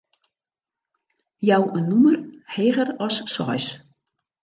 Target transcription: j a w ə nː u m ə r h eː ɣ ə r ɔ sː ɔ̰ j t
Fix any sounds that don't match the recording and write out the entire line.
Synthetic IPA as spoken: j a w ə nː u m ə r h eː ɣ ə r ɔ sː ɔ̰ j s